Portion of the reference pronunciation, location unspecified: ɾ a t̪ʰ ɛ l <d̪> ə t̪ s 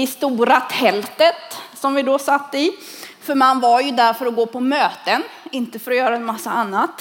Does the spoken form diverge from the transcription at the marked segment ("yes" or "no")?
yes